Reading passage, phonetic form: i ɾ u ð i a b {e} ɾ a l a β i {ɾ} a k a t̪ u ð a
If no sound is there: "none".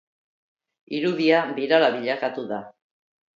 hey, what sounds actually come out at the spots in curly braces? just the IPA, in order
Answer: i, ʎ

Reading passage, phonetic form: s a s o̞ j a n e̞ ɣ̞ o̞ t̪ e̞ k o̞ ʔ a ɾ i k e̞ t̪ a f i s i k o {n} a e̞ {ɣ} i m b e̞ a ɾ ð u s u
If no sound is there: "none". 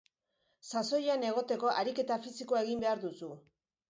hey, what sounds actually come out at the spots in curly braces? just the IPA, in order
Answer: none, ɣ

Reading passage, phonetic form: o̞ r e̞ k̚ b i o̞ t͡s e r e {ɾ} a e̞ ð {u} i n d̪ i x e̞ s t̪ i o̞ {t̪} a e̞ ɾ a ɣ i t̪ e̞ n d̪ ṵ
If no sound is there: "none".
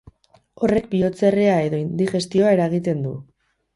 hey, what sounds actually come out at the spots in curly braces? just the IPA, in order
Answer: none, o, none

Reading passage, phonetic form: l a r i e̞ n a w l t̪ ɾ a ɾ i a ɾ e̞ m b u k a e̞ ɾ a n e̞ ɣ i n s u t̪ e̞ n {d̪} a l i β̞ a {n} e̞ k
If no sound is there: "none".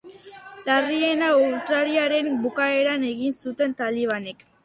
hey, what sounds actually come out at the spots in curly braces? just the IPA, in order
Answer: t̪, n

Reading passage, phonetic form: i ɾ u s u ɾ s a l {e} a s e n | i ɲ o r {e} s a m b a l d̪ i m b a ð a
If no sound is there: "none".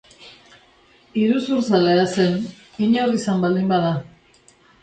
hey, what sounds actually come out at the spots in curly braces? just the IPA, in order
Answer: e, i

